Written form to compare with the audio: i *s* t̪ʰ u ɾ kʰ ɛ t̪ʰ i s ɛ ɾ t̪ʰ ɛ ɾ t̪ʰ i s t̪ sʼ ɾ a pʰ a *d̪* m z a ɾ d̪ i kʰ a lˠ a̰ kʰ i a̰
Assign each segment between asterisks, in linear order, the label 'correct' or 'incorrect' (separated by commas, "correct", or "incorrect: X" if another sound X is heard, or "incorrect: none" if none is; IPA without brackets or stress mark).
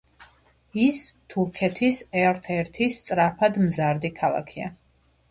correct, correct